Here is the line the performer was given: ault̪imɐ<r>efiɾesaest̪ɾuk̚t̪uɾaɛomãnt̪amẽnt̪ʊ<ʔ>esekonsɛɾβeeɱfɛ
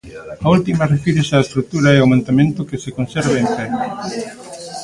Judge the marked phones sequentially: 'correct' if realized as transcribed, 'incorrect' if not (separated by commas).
correct, incorrect